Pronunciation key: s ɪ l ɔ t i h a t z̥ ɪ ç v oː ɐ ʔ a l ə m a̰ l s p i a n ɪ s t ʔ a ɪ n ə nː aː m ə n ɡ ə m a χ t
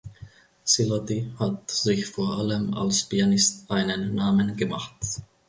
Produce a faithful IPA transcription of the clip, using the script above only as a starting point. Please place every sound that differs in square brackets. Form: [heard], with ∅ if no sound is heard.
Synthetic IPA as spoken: s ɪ l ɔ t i h a t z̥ ɪ ç [f] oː ɐ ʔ a l ə m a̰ l s p i a n ɪ s t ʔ a ɪ n ə nː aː m ə n ɡ ə m a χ t

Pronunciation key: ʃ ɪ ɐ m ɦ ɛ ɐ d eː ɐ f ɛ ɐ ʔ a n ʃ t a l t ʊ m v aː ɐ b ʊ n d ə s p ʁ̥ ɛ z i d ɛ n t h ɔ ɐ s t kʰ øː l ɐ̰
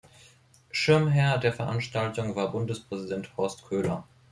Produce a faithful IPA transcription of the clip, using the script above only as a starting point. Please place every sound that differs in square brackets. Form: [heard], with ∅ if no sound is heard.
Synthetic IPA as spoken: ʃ ɪ ɐ m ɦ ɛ ɐ d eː ɐ f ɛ ɐ ʔ a n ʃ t a l t ʊ [ŋ] v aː ɐ b ʊ n d ə s p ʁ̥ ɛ z i d ɛ n t h ɔ ɐ s t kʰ øː l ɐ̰

